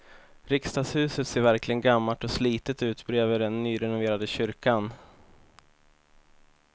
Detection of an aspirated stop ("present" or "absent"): absent